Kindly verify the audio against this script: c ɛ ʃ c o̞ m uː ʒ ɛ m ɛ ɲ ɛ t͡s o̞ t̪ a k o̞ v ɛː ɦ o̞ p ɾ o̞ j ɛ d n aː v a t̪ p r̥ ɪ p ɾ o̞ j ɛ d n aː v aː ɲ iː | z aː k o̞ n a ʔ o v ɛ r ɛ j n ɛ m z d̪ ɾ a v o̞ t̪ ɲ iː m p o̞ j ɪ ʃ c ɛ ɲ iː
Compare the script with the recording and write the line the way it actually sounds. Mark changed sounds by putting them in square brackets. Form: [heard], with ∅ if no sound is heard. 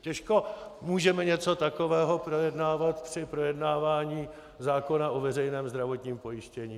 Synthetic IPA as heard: c ɛ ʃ [k] o̞ m uː ʒ ɛ m ɛ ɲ ɛ t͡s o̞ t̪ a k o̞ v ɛː ɦ o̞ p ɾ o̞ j ɛ d n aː v a t̪ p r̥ ɪ p ɾ o̞ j ɛ d n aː v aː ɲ iː | z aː k o̞ n a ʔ o v ɛ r ɛ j n [ɛː] m z d̪ ɾ a v o̞ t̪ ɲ iː m p o̞ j ɪ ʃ c ɛ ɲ iː